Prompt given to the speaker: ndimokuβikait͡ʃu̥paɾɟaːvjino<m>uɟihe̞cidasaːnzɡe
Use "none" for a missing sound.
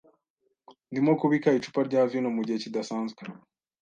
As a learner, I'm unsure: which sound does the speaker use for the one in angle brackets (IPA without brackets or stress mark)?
m